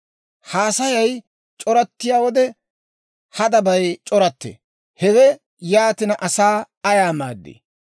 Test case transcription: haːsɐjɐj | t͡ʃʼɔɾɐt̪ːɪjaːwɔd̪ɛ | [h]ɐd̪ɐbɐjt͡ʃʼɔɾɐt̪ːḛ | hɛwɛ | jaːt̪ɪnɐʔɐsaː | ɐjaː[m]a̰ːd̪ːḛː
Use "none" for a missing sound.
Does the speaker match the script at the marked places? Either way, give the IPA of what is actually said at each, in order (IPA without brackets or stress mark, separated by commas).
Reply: h, m